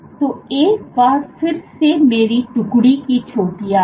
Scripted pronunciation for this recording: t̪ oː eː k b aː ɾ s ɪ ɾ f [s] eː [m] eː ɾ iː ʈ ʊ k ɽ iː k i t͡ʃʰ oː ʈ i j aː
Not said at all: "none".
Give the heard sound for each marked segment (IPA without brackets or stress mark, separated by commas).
s, m